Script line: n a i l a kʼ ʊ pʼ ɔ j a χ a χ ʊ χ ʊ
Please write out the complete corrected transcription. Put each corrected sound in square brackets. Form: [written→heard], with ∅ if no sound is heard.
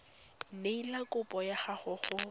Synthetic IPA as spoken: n [a→e] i l a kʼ ʊ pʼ ɔ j a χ a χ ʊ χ ʊ